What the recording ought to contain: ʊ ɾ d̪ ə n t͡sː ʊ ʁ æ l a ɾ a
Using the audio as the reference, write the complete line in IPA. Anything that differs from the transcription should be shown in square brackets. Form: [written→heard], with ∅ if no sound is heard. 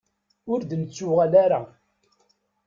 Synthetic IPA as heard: ʊ ɾ d̪ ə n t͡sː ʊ ʁ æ l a ɾ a